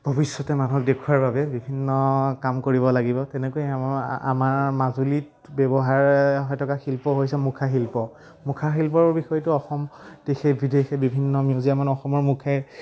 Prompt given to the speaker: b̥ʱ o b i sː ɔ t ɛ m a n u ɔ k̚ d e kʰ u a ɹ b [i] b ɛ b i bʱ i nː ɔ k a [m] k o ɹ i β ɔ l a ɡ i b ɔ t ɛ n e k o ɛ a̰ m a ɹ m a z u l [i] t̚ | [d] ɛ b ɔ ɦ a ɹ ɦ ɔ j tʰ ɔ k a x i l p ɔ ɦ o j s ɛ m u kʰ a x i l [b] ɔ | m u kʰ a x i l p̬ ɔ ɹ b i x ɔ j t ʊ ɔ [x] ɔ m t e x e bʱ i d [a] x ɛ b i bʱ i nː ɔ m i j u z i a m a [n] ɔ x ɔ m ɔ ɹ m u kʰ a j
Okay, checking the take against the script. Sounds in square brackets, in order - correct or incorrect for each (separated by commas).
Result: incorrect, correct, correct, incorrect, incorrect, correct, incorrect, correct